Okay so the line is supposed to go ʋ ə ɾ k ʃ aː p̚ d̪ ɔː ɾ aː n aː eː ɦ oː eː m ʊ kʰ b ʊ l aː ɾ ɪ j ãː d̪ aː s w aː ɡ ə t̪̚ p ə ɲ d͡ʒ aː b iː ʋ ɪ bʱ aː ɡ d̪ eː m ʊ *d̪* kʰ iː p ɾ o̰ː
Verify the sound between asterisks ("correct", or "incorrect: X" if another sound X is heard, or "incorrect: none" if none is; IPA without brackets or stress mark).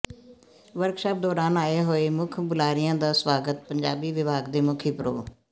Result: incorrect: none